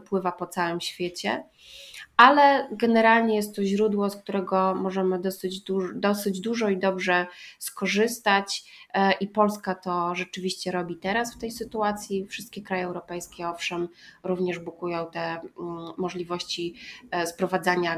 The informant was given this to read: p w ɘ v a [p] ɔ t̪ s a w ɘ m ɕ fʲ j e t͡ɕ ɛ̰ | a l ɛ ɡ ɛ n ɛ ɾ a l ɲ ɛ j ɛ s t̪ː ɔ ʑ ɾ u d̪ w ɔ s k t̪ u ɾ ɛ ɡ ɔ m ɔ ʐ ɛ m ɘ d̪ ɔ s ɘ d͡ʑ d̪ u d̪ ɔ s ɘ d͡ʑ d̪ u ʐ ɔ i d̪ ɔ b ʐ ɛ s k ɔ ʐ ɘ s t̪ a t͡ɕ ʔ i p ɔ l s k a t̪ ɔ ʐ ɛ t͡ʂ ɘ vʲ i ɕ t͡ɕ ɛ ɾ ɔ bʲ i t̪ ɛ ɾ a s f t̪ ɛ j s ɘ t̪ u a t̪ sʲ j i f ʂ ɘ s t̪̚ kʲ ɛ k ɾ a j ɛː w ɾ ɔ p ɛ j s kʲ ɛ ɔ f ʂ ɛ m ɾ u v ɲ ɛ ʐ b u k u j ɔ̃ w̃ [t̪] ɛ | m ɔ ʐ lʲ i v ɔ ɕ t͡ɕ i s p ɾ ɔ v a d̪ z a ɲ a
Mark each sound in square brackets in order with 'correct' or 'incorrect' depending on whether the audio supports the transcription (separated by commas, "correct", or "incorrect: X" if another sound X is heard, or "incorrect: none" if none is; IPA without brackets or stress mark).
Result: correct, correct